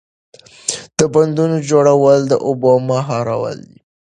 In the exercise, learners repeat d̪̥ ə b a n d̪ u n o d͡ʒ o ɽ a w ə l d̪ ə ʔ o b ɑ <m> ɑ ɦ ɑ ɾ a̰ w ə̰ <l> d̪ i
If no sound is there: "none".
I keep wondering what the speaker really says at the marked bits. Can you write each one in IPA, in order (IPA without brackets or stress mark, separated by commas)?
m, l